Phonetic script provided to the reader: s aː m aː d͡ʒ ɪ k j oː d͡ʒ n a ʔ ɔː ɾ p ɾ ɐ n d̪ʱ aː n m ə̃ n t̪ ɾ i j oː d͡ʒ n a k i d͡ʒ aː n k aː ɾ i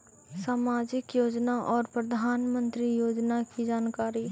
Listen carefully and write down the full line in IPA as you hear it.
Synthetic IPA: s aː m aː d͡ʒ ɪ k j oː d͡ʒ n a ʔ ɔː ɾ p ɾ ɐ d̪ʱ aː n m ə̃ n t̪ ɾ i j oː d͡ʒ n a k i d͡ʒ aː n k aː ɾ i